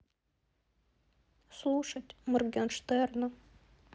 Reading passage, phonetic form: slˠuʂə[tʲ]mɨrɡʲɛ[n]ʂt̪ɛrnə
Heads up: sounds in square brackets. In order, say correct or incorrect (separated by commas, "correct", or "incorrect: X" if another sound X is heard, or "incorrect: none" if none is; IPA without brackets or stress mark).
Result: correct, correct